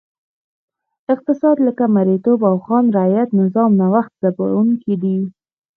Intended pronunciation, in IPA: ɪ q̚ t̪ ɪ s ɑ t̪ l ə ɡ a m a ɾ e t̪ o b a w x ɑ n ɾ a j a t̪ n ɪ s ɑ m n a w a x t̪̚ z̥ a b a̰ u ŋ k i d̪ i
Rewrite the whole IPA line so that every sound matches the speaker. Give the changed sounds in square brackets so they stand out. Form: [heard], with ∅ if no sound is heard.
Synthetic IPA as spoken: ɪ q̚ t̪ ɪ s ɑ [d̪] l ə [k] a m a ɾ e t̪ o b a w x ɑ n ɾ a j a t̪ n ɪ [z] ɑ m n a w a x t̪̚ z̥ a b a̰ u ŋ k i d̪ i